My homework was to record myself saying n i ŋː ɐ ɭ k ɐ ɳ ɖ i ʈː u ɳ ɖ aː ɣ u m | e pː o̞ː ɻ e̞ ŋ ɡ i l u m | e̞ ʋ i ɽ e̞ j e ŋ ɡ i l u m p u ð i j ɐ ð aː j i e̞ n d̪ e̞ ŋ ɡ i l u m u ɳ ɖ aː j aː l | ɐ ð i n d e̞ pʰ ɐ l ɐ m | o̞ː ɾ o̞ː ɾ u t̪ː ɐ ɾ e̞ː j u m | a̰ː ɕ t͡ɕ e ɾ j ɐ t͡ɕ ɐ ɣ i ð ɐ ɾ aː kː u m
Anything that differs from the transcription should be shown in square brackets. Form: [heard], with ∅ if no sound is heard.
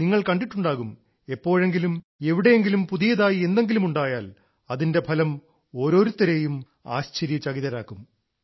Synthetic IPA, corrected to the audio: n i ŋː ɐ ɭ k ɐ ɳ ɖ i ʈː u ɳ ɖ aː ɣ u m | e pː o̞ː ɻ e̞ ŋ ɡ i l u m | e̞ ʋ i ɽ e̞ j e ŋ ɡ i l u m p u ð i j ɐ ð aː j i e̞ n d̪ e̞ ŋ ɡ i l u m u ɳ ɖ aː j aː l | ɐ ð i n d e̞ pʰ ɐ l ɐ m | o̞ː ɾ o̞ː ɾ u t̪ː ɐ ɾ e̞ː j u m | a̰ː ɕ t͡ɕ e ɾ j ɐ t͡ɕ ɐ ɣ i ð ɐ ɾ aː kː u m